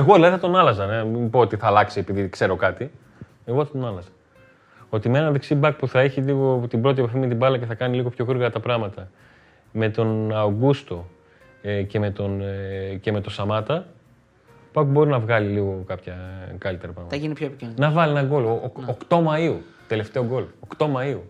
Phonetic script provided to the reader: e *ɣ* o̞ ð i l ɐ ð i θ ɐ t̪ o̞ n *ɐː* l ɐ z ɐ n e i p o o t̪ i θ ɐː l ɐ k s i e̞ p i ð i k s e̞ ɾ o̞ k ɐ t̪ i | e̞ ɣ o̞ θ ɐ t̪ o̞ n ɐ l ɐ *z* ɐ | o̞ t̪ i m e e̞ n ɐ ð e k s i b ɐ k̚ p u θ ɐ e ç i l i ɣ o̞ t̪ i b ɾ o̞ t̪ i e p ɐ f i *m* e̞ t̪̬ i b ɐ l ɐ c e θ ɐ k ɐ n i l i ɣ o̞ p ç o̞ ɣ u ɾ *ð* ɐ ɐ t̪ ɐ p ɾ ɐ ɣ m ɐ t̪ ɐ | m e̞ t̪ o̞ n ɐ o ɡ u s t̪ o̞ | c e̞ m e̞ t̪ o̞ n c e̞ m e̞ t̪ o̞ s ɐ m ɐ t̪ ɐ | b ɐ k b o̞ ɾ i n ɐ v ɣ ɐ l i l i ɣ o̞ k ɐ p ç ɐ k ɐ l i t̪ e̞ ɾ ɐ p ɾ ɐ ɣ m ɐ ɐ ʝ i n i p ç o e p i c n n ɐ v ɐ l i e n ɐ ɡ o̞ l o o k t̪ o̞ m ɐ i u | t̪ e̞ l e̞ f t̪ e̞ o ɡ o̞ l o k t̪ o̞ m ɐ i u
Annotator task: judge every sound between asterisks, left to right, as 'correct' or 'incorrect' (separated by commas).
correct, incorrect, correct, correct, incorrect